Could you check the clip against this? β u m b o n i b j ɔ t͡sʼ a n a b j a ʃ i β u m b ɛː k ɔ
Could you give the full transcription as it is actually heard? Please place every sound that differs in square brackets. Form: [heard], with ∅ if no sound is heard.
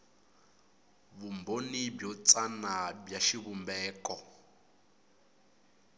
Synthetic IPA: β u m b o n i b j ɔ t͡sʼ a n a b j a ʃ i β u m b ɛː k ɔ